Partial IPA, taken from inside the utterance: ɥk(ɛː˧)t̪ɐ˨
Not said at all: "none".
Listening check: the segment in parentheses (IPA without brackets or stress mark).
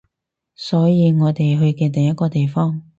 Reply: ɛː˧